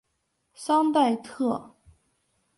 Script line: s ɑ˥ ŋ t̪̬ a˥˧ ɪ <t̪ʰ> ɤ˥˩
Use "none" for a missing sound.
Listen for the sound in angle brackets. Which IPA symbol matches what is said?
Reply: t̪ʰ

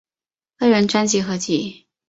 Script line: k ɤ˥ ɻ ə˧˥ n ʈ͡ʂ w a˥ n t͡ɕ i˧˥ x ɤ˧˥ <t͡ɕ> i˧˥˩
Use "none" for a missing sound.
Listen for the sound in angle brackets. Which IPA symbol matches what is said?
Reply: t͡ɕ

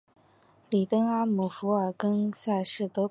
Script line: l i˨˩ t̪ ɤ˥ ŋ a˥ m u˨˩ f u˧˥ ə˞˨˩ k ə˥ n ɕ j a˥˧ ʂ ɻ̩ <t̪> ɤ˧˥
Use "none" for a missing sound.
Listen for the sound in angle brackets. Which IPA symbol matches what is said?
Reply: t̪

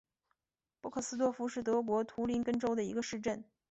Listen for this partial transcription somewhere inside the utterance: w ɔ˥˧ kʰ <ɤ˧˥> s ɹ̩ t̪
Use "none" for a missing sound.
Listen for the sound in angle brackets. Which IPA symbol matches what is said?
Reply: ɤ˥˩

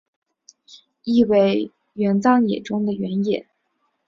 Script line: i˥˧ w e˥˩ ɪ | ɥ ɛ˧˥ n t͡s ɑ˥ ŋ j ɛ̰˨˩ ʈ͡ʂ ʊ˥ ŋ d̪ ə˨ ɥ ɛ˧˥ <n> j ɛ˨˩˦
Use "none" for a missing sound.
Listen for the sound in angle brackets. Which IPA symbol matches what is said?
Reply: n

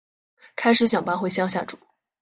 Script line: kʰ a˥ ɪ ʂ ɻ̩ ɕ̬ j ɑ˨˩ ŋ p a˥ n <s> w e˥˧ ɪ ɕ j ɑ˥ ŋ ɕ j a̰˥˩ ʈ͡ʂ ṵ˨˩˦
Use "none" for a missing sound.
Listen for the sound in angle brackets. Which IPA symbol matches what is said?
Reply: x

